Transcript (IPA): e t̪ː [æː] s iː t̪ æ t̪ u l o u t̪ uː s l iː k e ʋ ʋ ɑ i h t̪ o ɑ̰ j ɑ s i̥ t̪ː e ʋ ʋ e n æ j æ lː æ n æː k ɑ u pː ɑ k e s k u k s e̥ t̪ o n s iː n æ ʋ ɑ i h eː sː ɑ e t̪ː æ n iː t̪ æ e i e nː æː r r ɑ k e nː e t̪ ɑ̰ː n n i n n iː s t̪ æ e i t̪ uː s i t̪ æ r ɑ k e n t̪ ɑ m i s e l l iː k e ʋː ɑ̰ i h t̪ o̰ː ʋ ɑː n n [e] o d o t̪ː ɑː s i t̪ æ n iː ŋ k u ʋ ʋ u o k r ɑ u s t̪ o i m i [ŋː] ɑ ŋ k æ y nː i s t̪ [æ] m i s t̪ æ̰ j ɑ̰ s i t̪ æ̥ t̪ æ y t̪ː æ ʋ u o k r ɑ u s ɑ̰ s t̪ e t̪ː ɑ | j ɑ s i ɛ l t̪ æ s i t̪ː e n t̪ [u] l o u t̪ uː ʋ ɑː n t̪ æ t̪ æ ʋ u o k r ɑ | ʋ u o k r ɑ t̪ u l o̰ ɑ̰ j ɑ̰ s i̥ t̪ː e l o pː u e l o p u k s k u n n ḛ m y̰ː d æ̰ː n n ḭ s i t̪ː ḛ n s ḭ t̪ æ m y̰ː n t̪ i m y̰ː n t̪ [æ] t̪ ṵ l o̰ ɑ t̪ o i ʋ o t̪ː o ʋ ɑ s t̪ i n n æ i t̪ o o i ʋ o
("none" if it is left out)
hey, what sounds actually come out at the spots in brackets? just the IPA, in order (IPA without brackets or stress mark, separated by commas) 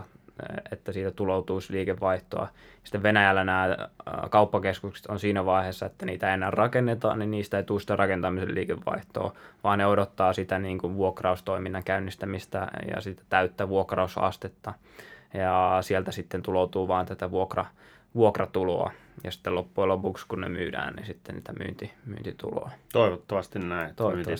æ, e, nː, æ, u, i